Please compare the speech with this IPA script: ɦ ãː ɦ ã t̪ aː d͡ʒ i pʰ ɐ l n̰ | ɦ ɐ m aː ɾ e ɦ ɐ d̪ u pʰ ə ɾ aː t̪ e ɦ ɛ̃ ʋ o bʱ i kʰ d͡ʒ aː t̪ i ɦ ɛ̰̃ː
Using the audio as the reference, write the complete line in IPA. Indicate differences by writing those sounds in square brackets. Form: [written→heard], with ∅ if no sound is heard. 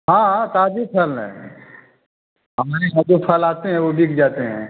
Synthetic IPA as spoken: ɦ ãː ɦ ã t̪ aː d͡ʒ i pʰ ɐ l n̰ | ɦ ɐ m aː ɾ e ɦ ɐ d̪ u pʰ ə [ɾ→l] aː t̪ e ɦ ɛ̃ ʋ o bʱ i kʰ d͡ʒ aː t̪ [i→e] ɦ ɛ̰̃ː